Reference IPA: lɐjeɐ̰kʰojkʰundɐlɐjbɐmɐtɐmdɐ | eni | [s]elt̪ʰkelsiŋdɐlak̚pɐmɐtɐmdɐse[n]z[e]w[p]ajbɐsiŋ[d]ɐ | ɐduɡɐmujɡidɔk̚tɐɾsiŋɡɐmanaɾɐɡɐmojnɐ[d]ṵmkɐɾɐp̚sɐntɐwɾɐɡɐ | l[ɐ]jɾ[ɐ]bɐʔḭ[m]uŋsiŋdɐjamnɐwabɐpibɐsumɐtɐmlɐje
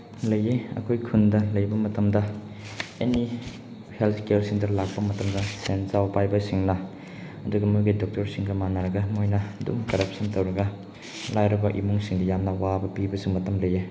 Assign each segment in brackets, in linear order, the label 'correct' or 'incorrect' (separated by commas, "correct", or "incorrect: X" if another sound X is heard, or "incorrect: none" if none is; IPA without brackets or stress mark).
incorrect: h, correct, incorrect: a, correct, incorrect: n, correct, incorrect: a, correct, correct